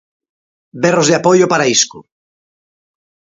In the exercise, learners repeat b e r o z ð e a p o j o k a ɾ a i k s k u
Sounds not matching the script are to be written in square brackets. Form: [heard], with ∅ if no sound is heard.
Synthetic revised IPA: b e r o z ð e a p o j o [p] a ɾ a i [∅] s k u